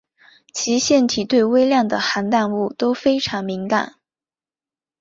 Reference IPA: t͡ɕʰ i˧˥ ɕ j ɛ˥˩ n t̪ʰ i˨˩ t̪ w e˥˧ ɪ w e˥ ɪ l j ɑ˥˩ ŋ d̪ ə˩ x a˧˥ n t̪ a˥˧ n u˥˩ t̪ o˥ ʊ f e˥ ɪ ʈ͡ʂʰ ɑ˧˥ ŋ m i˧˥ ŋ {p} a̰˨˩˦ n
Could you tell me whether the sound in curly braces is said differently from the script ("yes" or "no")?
yes